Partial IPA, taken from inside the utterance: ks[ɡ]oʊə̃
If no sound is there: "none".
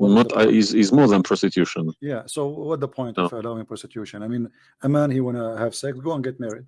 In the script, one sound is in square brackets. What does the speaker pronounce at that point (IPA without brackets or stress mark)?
ɡ